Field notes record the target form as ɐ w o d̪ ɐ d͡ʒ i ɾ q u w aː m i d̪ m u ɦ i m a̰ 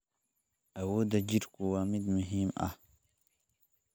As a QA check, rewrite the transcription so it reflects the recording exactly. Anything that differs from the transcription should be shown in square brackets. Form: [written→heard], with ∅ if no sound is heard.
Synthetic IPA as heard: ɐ w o d̪ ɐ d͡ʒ i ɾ [q→k] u w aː m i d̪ m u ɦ i m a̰